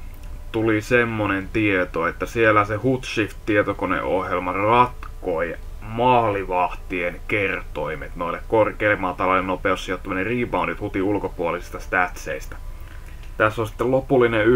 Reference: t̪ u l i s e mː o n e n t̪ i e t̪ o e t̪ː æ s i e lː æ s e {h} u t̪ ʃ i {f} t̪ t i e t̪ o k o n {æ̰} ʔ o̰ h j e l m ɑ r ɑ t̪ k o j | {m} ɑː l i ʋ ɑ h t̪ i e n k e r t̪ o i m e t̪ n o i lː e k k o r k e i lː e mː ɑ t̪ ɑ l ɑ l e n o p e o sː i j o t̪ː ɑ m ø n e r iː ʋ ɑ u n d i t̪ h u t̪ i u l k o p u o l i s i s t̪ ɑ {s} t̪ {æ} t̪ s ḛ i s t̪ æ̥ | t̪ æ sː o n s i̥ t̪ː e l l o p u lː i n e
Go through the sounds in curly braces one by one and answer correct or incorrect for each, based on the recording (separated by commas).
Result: correct, correct, incorrect, correct, correct, correct